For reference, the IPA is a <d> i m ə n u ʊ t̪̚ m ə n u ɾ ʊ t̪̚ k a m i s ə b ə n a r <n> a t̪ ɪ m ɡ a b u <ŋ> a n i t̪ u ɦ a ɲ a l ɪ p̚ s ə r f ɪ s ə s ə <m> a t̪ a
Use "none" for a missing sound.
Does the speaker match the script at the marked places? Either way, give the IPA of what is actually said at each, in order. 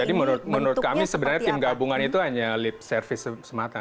d, ɲ, ŋ, m

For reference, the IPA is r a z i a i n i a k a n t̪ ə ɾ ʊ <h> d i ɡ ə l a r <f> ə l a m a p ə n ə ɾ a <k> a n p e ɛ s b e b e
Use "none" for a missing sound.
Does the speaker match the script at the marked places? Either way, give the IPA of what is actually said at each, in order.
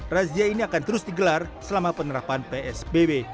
s, s, p

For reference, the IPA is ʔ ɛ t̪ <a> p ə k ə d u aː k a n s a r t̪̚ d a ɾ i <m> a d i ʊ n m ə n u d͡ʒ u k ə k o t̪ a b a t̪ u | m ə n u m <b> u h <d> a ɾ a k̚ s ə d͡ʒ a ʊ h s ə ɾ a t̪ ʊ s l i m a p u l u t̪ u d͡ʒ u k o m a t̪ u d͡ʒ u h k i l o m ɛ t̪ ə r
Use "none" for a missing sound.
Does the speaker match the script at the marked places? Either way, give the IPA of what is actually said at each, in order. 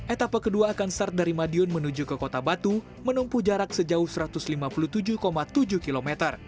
a, m, p, d͡ʒ

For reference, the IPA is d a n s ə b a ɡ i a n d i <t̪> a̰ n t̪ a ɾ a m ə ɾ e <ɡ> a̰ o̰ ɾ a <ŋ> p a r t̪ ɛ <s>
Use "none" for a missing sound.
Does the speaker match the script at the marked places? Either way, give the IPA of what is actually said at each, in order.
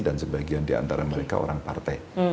none, k, ŋ, none

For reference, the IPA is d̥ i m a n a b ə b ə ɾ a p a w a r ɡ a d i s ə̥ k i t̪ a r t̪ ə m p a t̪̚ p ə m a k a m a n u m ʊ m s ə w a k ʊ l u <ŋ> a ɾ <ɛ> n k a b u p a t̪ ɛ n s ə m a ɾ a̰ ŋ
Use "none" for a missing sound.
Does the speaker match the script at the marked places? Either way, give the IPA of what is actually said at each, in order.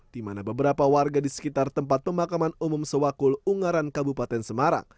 ŋ, a

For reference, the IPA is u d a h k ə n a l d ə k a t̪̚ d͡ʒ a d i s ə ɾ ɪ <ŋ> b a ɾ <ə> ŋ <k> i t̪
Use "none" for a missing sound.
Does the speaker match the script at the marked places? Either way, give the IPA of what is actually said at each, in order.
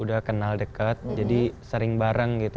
ŋ, a, ɡ

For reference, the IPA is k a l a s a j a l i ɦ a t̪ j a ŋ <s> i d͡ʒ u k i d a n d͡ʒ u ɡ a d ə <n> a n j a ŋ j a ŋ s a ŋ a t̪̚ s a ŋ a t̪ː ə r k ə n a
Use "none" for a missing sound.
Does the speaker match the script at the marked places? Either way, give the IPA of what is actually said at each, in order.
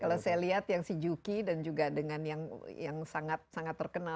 s, ŋ

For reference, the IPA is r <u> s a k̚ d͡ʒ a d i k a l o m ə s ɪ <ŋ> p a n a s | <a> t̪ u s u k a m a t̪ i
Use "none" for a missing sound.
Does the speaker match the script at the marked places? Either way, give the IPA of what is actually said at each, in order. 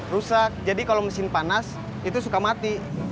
u, n, i

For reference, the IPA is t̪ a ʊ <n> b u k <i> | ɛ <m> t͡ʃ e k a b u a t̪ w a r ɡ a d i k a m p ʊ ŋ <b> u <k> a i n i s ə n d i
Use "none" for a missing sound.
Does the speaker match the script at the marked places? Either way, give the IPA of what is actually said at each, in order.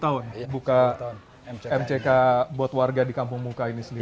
n, a, m, m, k

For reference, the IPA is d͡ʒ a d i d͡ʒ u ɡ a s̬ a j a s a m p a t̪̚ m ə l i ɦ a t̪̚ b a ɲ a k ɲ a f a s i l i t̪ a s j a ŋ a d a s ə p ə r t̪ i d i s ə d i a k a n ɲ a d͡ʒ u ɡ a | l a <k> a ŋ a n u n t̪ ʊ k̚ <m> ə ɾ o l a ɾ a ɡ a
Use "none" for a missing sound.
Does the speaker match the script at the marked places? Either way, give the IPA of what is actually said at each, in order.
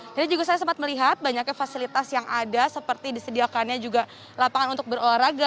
p, b

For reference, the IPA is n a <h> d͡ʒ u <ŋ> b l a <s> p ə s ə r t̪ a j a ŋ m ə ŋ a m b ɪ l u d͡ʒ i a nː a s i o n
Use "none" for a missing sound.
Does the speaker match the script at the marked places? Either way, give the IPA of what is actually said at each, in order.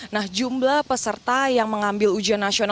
h, m, h

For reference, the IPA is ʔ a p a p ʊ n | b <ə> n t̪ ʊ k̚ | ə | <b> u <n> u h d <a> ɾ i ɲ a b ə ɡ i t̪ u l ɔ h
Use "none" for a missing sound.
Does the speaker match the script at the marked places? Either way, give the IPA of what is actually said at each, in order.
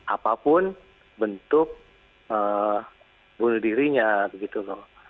ə, b, n, i

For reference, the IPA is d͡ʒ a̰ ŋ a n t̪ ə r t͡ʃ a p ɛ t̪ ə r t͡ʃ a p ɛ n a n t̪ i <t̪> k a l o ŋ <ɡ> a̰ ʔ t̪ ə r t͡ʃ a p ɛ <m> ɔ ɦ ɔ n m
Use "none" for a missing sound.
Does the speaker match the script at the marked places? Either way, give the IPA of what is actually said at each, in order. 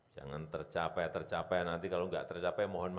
none, ɡ, m

